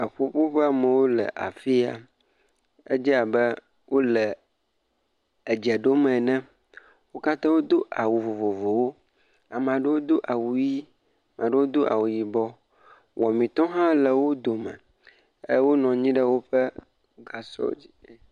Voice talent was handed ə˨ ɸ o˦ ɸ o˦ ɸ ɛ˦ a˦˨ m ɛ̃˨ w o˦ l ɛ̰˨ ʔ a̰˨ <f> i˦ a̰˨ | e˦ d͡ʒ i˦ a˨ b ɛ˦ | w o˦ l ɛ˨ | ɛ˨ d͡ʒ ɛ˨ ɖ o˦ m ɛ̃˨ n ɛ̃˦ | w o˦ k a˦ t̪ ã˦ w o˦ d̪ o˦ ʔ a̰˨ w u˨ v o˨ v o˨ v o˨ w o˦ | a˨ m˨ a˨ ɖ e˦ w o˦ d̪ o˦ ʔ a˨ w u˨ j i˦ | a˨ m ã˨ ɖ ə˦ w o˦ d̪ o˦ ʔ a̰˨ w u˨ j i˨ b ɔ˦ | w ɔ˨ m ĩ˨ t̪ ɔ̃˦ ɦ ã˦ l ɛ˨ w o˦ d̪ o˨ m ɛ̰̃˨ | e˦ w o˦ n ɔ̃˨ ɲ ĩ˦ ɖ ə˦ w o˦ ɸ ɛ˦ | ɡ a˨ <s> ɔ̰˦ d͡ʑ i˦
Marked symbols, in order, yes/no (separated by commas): yes, yes